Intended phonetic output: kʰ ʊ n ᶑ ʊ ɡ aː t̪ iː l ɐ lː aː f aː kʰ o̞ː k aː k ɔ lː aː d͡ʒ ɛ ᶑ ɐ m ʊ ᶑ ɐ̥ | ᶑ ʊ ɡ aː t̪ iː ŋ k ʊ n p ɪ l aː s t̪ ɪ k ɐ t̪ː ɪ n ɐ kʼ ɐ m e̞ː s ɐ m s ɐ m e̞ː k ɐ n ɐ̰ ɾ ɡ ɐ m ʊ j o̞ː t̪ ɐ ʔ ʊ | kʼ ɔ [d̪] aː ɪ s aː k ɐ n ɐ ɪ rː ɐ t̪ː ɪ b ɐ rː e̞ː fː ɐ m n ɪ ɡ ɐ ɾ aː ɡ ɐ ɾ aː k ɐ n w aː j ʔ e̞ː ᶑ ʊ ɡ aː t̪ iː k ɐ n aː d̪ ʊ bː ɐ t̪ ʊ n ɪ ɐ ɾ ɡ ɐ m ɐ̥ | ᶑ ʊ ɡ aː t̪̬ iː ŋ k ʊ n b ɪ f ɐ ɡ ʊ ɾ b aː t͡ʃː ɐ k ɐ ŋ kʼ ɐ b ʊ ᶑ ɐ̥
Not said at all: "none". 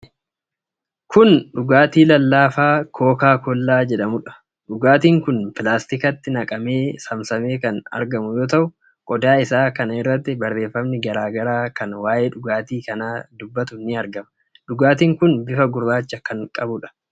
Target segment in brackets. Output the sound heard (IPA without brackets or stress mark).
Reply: d̪